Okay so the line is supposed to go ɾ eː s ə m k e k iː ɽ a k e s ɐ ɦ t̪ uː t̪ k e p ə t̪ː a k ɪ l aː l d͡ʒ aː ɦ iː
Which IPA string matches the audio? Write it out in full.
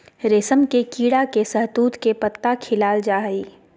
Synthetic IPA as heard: ɾ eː s ə m k e k iː ɽ a k e s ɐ ɦ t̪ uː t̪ k e p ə t̪ː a kʰ ɪ l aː l d͡ʒ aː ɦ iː